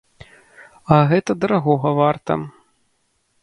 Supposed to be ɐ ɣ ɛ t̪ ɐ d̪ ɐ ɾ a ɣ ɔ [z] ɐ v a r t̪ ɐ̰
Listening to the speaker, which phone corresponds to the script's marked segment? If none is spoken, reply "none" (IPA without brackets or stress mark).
ɣ